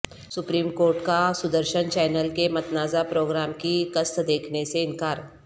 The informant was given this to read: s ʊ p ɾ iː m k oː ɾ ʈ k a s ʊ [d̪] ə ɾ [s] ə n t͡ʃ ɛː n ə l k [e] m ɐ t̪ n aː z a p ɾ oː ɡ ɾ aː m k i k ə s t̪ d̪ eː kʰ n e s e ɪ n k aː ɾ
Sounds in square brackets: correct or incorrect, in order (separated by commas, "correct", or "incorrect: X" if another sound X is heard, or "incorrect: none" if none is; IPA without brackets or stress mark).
correct, incorrect: ʃ, correct